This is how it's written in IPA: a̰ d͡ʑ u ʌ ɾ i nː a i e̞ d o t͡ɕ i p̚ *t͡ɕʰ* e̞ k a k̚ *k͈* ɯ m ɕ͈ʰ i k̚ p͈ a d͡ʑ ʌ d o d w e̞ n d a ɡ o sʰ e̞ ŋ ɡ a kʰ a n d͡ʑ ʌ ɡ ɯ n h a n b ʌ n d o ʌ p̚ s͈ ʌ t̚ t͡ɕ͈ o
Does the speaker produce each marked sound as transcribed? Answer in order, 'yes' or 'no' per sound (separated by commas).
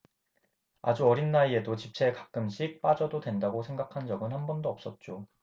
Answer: yes, yes